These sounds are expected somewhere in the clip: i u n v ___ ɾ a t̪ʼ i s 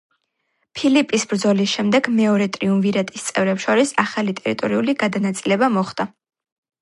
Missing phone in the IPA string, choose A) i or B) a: A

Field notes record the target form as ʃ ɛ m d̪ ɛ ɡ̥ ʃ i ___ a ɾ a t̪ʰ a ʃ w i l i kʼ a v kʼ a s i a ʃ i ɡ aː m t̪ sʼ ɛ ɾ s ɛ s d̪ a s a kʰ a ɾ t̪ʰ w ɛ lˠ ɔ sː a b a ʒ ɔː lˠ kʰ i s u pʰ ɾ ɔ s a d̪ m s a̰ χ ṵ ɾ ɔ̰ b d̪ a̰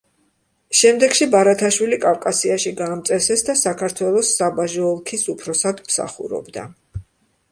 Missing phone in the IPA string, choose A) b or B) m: A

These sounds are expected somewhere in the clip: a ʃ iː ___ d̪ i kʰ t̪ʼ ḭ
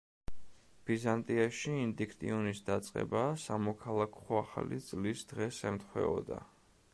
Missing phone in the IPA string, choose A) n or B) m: A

